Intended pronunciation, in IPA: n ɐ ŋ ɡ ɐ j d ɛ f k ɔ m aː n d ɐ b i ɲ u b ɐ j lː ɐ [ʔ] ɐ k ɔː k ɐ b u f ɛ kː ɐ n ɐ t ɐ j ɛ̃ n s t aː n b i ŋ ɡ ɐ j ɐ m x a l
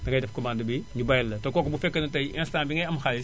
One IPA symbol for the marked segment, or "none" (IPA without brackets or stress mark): t